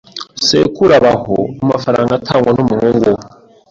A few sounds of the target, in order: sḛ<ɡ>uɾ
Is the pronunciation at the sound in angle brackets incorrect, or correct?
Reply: incorrect: k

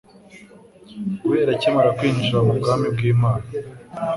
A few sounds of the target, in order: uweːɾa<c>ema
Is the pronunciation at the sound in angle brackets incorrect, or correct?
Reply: correct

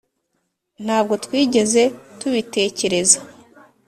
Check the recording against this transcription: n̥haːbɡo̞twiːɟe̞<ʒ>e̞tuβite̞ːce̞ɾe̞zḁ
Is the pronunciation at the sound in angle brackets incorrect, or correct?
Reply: incorrect: z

